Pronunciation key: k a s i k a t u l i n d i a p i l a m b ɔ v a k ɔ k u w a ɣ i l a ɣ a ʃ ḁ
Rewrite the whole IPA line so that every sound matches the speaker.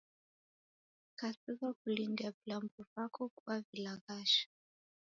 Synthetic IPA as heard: k a s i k a k u l i n d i a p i l a m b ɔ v a k ɔ k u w a v i l a ɣ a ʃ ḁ